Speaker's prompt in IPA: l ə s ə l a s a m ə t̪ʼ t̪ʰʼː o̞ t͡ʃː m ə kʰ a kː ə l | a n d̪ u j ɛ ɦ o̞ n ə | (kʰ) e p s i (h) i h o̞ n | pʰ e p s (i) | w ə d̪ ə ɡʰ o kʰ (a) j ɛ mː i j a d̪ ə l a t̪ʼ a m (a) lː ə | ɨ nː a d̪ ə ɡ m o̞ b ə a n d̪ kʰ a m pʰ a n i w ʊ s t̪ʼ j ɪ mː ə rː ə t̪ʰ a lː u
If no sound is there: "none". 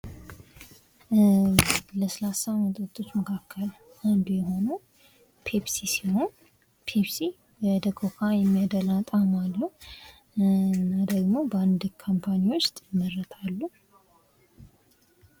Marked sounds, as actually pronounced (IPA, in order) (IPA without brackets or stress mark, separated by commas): pʰ, s, i, a, a